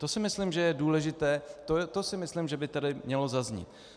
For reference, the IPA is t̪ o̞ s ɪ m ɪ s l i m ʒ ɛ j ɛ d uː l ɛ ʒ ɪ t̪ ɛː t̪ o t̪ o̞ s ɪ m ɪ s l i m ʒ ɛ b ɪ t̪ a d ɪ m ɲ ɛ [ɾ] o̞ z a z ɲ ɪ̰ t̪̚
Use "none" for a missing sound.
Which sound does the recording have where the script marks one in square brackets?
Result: l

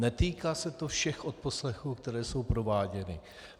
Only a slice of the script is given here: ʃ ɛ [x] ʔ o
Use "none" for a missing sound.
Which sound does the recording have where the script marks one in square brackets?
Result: x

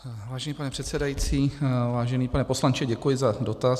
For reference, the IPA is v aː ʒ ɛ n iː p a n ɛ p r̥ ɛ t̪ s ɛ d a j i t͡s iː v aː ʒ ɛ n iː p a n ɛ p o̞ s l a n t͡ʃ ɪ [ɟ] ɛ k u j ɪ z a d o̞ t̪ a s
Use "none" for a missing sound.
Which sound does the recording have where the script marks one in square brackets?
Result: ɟ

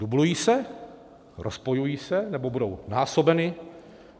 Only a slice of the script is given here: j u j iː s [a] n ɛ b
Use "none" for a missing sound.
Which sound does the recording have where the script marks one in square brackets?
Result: ɛ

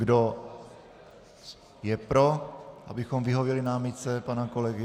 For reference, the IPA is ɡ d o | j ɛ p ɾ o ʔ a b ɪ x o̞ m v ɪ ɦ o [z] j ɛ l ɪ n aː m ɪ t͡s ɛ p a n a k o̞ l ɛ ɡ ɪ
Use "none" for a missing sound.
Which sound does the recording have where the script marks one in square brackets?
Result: v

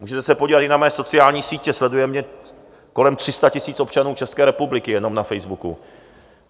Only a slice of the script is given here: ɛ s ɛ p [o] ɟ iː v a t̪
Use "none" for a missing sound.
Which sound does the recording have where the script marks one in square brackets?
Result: o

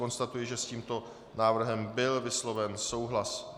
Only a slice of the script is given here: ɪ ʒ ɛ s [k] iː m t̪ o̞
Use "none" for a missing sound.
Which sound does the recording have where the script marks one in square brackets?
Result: c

